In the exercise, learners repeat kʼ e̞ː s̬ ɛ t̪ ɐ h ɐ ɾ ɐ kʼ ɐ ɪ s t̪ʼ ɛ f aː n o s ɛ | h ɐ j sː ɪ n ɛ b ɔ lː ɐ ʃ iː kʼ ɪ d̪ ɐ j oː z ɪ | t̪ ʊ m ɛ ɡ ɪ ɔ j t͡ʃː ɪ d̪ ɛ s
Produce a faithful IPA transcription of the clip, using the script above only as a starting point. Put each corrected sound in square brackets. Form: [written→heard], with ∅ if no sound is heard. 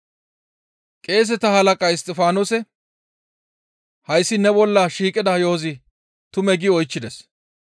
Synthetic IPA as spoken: kʼ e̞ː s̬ ɛ t̪ ɐ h ɐ [ɾ→l] ɐ kʼ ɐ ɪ s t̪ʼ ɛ f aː n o s ɛ | h ɐ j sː ɪ n ɛ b ɔ lː ɐ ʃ iː kʼ ɪ d̪ ɐ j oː z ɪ | t̪ ʊ m ɛ ɡ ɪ ɔ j t͡ʃː ɪ d̪ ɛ s

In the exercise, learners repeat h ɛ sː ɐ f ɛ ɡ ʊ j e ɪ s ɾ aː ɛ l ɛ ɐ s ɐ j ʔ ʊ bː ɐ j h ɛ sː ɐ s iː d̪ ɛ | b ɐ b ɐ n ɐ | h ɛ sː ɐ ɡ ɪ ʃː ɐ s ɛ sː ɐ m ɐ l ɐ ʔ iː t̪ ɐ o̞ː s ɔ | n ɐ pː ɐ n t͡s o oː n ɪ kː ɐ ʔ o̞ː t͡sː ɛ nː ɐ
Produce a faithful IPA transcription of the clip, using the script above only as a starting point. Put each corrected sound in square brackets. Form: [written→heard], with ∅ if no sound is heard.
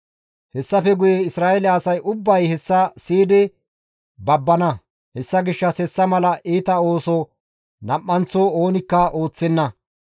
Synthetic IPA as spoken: h ɛ sː ɐ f ɛ ɡ ʊ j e ɪ s ɾ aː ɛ l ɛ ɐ s ɐ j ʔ ʊ bː ɐ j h ɛ sː ɐ s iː d̪ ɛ | b ɐ [b→bː] ɐ n ɐ | h ɛ sː ɐ ɡ ɪ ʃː ɐ s ɛ sː ɐ m ɐ l ɐ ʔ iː t̪ ɐ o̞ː s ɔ | n ɐ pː ɐ n t͡s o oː n ɪ kː ɐ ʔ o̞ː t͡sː ɛ nː ɐ

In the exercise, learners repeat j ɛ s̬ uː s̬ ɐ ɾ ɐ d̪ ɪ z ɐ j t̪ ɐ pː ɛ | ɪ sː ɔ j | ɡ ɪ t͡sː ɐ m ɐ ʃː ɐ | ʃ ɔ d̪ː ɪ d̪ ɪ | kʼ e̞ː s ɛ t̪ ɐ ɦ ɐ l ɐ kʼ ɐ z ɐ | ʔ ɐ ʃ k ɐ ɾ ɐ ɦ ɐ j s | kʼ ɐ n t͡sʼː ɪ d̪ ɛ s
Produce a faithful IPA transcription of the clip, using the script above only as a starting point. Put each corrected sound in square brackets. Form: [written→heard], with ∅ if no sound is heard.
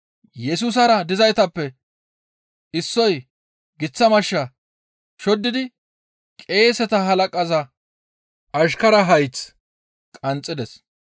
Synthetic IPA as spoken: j ɛ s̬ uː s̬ ɐ ɾ ɐ d̪ ɪ z ɐ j t̪ ɐ pː ɛ | ɪ sː ɔ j | ɡ ɪ t͡sː ɐ m ɐ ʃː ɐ | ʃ ɔ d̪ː ɪ d̪ ɪ | kʼ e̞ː s ɛ t̪ ɐ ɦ ɐ l ɐ kʼ ɐ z ɐ | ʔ ɐ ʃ k ɐ ɾ ɐ ɦ ɐ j [s→t͡s] | kʼ ɐ n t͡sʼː ɪ d̪ ɛ s

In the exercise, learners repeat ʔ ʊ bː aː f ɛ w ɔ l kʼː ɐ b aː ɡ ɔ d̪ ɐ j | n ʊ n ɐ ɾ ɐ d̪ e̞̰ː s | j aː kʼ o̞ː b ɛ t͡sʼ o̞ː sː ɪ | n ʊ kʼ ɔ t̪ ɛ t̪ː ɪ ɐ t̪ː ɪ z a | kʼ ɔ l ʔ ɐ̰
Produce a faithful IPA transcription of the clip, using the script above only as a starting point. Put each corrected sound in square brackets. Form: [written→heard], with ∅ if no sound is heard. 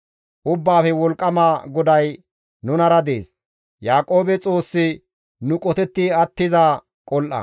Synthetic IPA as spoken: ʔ ʊ bː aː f ɛ w ɔ l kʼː ɐ [b→m] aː ɡ ɔ d̪ ɐ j | n ʊ n ɐ ɾ ɐ d̪ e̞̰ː s | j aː kʼ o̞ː b ɛ t͡sʼ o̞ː sː ɪ | n ʊ kʼ ɔ t̪ ɛ t̪ː ɪ ɐ t̪ː ɪ z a | kʼ ɔ l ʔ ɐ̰

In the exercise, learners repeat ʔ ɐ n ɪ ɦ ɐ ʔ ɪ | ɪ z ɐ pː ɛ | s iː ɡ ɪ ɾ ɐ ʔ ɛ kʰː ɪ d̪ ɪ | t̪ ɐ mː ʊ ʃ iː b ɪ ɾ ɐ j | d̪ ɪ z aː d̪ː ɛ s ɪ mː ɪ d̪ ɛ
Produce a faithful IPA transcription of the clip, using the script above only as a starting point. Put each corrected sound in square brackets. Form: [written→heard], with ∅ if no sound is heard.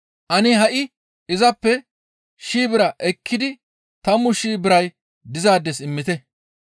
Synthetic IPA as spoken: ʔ ɐ n ɪ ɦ ɐ ʔ ɪ | ɪ z ɐ pː ɛ | [s→ʃ] iː [ɡ→b] ɪ ɾ ɐ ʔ ɛ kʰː ɪ d̪ ɪ | t̪ ɐ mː ʊ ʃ iː b ɪ ɾ ɐ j | d̪ ɪ z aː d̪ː ɛ s ɪ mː ɪ [d̪→t̪] ɛ

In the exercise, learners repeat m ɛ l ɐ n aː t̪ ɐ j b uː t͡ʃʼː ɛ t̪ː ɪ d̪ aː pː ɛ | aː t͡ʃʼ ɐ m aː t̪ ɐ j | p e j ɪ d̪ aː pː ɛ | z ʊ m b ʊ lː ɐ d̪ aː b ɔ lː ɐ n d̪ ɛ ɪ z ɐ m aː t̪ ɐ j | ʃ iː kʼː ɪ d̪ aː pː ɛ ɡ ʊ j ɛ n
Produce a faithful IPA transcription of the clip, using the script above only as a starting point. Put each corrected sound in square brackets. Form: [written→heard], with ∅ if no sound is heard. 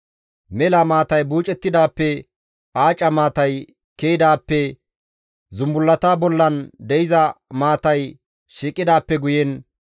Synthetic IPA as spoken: m ɛ l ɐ [n→m] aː t̪ ɐ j b uː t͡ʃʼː ɛ t̪ː ɪ d̪ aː pː ɛ | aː t͡ʃʼ ɐ m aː t̪ ɐ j | [p→k] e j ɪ d̪ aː pː ɛ | z ʊ m b ʊ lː ɐ [d̪→t̪] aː b ɔ lː ɐ n d̪ ɛ ɪ z ɐ m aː t̪ ɐ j | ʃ iː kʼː ɪ d̪ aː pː ɛ ɡ ʊ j ɛ n

